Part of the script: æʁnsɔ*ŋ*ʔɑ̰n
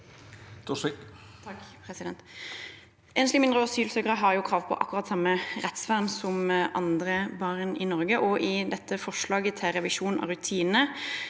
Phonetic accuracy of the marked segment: incorrect: m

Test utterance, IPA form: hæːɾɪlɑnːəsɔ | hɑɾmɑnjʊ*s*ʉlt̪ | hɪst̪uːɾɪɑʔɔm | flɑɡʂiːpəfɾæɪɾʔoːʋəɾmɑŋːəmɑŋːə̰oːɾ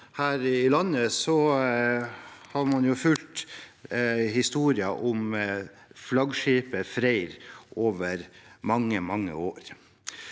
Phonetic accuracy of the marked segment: incorrect: f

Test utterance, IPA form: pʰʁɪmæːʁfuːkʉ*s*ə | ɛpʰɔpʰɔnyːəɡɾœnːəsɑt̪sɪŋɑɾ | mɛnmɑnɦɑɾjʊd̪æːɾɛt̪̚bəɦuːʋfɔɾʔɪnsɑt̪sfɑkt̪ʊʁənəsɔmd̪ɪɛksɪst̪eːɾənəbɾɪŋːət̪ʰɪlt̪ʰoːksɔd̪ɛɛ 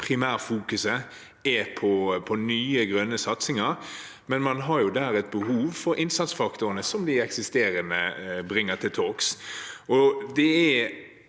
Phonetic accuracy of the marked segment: correct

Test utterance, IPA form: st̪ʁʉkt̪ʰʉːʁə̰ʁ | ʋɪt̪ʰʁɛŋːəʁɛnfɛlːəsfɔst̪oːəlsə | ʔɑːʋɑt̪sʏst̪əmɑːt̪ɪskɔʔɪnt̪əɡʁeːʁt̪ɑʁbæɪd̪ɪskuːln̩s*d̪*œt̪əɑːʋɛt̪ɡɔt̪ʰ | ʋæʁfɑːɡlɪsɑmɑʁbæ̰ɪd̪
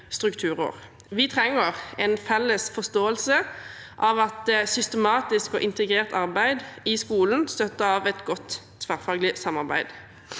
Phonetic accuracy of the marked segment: incorrect: t̪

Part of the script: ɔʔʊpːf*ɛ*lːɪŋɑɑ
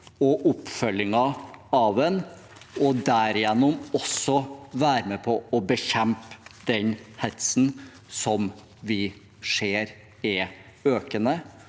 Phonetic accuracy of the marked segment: incorrect: œ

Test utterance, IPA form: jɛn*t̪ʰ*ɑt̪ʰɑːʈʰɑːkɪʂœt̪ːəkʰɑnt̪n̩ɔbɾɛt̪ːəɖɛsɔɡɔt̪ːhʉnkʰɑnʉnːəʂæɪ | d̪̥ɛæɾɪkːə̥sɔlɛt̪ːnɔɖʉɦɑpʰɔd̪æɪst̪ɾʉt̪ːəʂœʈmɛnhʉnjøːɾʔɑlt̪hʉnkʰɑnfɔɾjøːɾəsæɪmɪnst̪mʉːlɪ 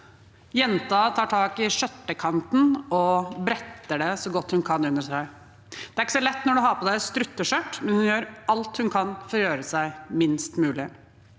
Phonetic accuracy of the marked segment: incorrect: t̪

